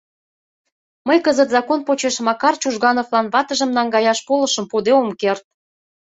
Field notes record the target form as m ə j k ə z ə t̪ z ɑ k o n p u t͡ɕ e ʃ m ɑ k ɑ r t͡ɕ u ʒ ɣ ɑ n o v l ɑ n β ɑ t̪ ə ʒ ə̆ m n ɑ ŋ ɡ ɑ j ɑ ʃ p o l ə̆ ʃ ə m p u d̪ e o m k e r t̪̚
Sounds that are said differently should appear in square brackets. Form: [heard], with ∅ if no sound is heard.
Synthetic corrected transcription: m ə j k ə z ə t̪ z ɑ k o n p [o] t͡ɕ e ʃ m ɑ k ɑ r t͡ɕ u ʒ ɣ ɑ n o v l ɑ n β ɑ t̪ ə ʒ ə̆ m n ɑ ŋ ɡ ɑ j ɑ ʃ p o l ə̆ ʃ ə m p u d̪ e o m k e r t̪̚